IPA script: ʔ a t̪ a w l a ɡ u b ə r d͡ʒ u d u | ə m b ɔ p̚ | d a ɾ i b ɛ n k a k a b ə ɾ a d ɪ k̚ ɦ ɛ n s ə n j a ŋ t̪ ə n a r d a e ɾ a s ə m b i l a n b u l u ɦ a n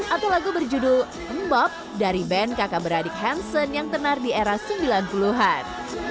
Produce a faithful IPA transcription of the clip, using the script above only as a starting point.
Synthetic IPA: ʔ a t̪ a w l a ɡ u b ə r d͡ʒ u d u | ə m b ɔ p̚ | d a ɾ i b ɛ n k a k a b ə ɾ a d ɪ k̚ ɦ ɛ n s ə n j a ŋ t̪ ə n a r d i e ɾ a s ə m b i l a n p u l u ɦ a n